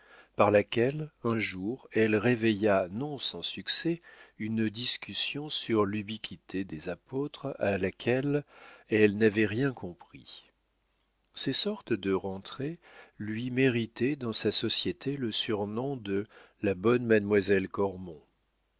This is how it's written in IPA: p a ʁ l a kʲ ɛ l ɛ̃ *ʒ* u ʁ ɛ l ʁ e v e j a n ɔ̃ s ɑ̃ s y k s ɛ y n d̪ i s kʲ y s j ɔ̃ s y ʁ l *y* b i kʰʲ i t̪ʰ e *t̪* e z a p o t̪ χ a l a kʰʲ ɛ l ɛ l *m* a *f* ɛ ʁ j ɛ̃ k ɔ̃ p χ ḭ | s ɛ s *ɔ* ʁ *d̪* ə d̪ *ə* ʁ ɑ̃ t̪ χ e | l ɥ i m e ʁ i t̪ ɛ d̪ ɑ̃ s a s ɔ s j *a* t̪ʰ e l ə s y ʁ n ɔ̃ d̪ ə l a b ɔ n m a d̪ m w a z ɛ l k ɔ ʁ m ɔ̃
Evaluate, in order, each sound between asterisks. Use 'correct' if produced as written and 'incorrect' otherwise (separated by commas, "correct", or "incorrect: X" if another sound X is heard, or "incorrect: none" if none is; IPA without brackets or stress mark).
correct, correct, incorrect: d̪, incorrect: n, incorrect: v, correct, incorrect: t̪, correct, incorrect: e